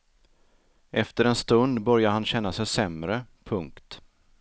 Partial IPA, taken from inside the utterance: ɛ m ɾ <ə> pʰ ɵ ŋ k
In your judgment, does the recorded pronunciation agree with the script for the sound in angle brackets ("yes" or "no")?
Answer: yes